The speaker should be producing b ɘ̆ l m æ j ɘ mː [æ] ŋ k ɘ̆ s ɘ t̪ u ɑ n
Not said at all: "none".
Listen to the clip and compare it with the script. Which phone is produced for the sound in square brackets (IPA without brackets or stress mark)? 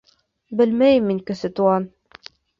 i